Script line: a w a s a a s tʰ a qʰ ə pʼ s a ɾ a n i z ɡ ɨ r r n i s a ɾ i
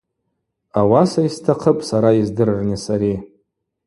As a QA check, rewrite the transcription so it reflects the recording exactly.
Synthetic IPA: a w a s a i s tʰ a qʰ ə pʼ s a ɾ a i z d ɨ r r n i s a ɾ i